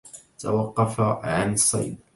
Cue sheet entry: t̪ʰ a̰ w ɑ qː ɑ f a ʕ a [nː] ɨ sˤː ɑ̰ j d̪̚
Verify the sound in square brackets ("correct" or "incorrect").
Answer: incorrect